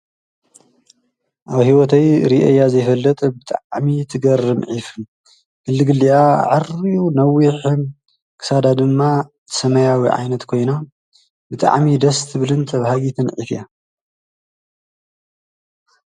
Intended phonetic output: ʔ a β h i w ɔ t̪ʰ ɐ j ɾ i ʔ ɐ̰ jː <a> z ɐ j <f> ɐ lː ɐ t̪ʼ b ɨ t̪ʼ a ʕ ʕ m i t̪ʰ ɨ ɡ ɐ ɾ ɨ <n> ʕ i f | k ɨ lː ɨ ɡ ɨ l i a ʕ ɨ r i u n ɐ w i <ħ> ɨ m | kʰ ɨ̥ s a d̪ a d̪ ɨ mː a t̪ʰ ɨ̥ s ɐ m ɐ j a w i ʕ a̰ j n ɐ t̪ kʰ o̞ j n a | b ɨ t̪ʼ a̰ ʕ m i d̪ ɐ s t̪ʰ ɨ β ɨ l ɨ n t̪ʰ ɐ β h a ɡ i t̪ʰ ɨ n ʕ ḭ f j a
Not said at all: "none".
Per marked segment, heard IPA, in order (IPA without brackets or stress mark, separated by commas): a, f, m, ħ